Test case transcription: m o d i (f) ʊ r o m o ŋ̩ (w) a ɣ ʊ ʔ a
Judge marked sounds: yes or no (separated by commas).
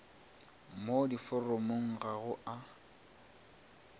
yes, no